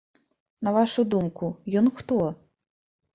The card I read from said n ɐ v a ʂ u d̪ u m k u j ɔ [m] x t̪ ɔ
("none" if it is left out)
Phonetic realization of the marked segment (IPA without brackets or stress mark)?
n